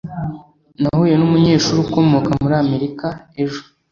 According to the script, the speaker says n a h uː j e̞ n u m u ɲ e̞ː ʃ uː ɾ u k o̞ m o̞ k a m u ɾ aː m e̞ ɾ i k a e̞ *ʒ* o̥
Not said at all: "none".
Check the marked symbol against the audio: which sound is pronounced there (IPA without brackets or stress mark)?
ʒ